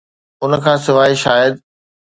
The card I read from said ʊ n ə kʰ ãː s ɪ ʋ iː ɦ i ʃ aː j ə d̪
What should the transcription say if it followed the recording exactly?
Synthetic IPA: ʊ n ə kʰ ãː s ɪ ʋ aː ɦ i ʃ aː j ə d̪